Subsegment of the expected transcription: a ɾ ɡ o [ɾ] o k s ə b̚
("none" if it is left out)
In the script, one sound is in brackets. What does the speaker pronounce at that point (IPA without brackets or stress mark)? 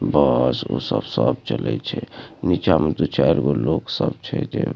l